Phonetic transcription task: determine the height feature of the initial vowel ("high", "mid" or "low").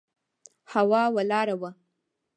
low